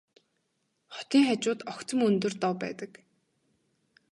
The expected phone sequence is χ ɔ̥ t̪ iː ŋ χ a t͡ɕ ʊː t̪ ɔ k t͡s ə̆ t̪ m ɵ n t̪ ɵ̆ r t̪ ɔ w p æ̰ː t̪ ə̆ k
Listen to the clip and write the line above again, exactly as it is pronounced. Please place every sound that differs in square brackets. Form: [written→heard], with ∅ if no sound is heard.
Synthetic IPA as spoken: χ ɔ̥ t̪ iː ŋ χ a t͡ɕ ʊː t̪ ɔ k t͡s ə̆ [t̪→∅] m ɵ n t̪ ɵ̆ r t̪ ɔ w p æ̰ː t̪ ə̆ k